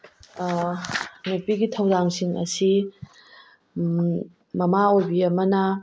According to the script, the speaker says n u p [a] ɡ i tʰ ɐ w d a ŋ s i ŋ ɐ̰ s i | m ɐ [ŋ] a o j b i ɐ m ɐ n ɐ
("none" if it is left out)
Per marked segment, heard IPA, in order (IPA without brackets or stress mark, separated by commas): i, m